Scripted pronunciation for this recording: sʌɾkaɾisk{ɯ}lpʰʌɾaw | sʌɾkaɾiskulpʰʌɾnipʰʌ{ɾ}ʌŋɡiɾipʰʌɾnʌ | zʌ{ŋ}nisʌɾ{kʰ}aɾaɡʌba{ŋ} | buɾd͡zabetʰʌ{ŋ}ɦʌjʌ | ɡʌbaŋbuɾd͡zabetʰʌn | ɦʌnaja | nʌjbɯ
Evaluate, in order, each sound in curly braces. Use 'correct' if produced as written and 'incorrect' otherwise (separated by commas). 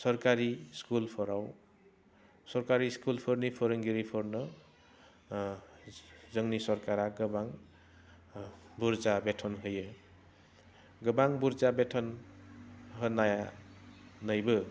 incorrect, correct, correct, incorrect, correct, incorrect